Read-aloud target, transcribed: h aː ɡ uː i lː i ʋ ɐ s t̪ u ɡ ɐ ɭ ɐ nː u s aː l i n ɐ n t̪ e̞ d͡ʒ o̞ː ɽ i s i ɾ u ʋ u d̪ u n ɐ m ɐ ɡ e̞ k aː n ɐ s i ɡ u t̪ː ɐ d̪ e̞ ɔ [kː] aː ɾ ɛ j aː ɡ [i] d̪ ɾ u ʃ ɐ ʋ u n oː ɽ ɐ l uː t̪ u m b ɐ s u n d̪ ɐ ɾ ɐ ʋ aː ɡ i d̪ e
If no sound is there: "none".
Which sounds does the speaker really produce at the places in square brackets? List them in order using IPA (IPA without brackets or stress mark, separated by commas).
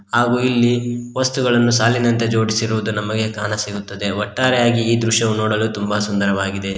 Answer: ʈː, iː